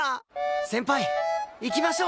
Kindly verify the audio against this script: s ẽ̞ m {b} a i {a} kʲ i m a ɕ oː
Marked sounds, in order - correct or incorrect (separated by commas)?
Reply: incorrect, incorrect